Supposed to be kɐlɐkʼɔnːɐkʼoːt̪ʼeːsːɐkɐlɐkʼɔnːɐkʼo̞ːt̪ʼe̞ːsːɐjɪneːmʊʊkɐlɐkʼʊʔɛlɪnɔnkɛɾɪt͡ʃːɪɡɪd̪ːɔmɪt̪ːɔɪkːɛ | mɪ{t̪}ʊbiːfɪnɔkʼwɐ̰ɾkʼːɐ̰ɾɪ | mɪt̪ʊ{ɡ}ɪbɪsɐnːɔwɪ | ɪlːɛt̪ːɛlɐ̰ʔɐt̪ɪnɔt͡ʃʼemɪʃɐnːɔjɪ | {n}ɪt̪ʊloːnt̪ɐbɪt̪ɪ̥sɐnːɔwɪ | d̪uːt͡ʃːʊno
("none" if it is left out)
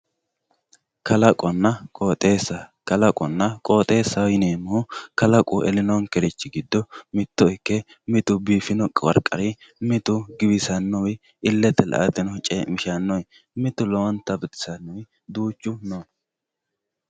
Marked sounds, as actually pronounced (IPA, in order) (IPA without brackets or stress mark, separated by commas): t̪, ɡ, m